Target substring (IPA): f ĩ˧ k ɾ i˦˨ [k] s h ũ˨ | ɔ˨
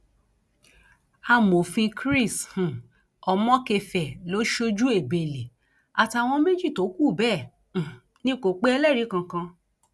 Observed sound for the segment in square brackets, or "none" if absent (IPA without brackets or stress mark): none